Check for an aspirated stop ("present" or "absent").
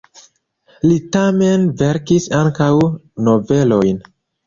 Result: absent